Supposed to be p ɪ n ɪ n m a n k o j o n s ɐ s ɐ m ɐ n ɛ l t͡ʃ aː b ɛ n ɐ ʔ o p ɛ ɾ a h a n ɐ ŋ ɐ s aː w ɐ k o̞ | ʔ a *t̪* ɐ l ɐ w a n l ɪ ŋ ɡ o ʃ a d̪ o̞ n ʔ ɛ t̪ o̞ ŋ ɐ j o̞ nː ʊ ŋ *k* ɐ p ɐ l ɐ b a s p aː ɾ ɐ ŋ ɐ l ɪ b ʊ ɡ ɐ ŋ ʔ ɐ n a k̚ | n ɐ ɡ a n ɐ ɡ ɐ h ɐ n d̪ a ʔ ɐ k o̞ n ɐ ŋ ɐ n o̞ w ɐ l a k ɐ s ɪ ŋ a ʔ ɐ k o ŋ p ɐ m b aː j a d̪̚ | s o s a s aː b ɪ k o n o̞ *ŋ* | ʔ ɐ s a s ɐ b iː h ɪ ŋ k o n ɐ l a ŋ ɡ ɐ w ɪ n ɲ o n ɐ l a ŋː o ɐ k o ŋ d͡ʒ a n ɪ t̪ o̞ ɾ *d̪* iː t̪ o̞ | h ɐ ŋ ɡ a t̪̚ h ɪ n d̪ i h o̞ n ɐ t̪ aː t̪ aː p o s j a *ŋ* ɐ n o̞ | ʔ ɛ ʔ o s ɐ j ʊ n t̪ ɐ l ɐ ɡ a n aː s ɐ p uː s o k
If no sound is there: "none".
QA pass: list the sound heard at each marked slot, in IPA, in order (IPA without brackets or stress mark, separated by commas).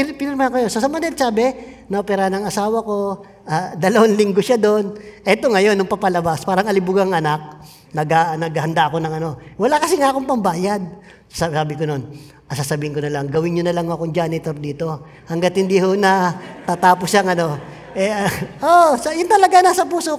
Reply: d̪, p, n, d̪, ŋ